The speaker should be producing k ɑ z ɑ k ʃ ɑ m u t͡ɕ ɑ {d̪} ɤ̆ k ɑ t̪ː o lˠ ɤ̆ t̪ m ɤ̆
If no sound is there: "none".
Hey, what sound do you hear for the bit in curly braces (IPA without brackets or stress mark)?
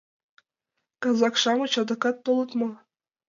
d̪